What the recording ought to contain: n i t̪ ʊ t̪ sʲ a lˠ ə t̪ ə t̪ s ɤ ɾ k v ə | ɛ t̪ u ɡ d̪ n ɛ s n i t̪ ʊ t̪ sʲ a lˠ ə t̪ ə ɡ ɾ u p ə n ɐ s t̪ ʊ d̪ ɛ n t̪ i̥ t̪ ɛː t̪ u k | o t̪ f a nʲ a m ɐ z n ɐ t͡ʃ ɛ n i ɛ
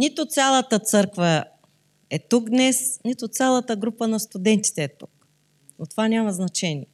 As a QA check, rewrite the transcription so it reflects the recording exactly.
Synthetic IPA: n i t̪ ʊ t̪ sʲ a lˠ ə t̪ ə t̪ s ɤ ɾ k v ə | ɛ t̪ u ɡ d̪ n ɛ s n i t̪ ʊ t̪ sʲ a lˠ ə t̪ ə ɡ ɾ u p ə n ɐ s t̪ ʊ d̪ ɛ n t̪ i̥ t̪ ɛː t̪ u k | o t̪ v a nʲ a m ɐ z n ɐ t͡ʃ ɛ n i ɛ